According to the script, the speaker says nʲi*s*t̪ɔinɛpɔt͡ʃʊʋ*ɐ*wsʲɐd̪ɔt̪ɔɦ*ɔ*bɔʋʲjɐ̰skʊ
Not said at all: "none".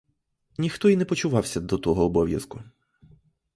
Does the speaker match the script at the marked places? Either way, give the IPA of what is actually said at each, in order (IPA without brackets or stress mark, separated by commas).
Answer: x, ɑ, ɔː